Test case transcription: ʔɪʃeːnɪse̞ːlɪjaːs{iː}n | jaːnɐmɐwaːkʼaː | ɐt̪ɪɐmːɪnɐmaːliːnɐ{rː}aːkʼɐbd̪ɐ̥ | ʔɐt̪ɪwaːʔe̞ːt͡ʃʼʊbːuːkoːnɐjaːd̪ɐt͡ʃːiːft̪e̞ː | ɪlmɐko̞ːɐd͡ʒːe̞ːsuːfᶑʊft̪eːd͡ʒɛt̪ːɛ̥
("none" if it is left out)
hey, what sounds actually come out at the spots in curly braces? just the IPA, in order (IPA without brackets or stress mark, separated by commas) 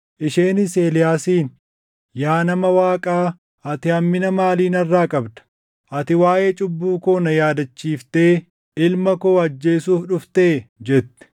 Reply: iː, rː